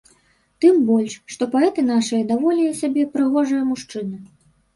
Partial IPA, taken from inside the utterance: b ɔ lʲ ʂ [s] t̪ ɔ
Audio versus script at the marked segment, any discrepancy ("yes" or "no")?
yes